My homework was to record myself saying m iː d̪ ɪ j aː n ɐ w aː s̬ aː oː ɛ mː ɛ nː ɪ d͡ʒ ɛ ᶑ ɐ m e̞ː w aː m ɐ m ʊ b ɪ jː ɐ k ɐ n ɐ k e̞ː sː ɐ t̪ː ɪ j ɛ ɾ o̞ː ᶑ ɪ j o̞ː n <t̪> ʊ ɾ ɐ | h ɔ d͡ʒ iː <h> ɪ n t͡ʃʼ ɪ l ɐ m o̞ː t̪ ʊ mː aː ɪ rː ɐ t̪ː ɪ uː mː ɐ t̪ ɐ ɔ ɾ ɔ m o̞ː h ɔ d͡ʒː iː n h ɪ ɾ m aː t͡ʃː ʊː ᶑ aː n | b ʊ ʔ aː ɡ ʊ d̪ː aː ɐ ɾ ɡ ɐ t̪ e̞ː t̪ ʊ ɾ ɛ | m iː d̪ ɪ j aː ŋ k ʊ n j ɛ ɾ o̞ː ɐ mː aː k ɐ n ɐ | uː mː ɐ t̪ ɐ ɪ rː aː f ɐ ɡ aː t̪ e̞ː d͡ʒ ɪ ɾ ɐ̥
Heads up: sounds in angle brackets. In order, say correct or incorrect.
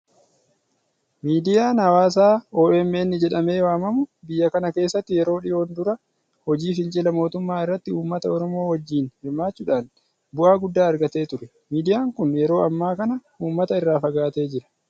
incorrect: d̪, incorrect: f

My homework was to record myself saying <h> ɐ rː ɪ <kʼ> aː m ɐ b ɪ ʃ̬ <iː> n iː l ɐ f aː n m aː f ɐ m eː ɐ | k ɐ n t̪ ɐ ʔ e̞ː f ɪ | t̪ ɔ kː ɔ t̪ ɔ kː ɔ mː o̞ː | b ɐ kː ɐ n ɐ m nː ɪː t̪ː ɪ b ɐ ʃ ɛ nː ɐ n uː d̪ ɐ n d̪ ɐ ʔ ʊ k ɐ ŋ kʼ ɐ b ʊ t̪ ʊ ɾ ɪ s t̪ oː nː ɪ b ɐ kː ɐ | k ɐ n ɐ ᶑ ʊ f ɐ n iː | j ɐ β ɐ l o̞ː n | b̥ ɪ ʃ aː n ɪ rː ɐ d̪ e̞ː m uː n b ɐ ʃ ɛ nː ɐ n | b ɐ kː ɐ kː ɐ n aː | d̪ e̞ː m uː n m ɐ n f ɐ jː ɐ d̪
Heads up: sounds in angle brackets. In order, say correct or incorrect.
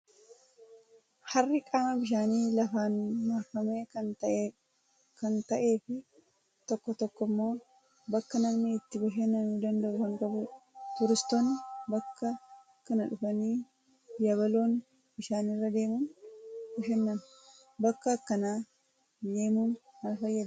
correct, correct, incorrect: aː

